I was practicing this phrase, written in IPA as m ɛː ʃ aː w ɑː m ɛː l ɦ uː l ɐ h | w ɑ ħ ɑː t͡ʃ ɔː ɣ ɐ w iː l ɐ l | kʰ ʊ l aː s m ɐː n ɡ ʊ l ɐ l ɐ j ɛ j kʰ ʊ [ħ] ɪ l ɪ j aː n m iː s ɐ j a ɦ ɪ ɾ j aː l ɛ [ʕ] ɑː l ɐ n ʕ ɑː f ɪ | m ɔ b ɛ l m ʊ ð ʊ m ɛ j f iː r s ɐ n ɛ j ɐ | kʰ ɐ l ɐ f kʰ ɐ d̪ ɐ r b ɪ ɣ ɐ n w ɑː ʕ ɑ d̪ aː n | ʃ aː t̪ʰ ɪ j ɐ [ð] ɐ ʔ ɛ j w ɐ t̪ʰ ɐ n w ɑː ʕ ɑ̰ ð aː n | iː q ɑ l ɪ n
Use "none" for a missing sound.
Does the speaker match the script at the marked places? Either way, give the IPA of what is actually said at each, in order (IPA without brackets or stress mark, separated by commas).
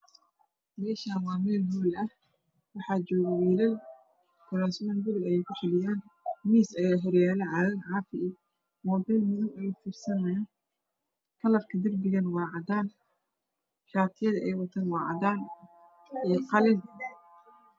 ħ, ʕ, ð